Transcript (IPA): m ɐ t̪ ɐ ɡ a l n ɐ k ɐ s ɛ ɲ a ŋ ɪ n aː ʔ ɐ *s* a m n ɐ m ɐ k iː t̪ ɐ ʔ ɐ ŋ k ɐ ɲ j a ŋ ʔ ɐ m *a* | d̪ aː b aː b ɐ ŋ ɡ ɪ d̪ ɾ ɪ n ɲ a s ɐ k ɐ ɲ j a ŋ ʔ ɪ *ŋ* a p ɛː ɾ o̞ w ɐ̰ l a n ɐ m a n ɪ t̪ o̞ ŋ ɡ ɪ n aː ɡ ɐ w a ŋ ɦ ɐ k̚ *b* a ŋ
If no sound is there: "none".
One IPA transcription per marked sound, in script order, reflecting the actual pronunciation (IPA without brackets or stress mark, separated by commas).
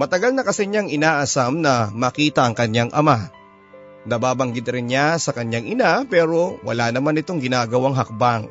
s, a, n, b